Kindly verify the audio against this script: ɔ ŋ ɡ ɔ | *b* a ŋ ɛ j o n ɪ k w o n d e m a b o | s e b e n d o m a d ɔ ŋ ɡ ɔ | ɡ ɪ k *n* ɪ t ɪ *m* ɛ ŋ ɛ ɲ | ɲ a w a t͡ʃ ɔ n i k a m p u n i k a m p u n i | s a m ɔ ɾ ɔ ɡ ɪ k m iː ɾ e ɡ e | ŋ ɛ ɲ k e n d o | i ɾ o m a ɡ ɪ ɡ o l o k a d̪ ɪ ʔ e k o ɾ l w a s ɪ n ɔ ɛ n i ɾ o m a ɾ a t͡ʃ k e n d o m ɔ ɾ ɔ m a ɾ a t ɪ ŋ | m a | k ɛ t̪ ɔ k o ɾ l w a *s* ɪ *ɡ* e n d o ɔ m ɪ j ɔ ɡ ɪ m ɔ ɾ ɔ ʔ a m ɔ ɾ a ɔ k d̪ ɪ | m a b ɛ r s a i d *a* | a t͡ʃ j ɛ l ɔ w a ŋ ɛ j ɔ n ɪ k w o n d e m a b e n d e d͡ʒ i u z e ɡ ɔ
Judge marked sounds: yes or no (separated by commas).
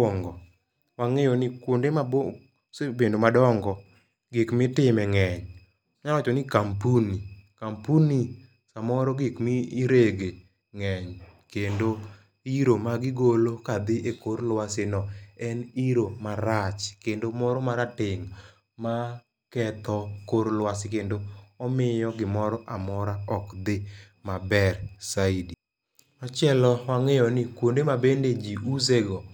no, no, yes, yes, no, no